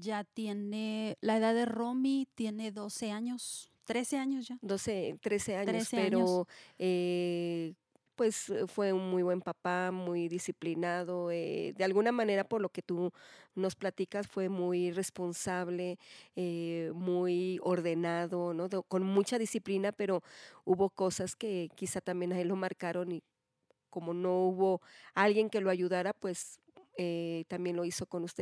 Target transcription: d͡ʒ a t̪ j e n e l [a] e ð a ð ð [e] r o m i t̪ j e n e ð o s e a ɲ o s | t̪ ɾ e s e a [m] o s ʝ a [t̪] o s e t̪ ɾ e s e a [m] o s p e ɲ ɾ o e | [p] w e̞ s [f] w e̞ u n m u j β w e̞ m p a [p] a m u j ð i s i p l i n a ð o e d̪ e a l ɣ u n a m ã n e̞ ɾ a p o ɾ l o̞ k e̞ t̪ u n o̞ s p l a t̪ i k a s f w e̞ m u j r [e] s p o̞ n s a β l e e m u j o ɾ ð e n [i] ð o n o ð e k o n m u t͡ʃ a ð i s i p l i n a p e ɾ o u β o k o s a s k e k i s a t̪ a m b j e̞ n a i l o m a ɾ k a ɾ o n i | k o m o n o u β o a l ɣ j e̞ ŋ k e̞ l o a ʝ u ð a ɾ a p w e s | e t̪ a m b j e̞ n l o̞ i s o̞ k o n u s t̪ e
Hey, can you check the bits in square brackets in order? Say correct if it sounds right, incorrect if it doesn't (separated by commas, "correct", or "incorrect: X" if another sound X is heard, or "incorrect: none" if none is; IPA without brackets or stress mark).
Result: correct, correct, incorrect: ɲ, incorrect: d̪, incorrect: ɲ, correct, correct, correct, correct, incorrect: a